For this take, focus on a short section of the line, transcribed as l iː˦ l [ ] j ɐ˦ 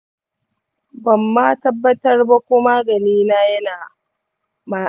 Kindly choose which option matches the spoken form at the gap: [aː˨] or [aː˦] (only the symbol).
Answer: aː˦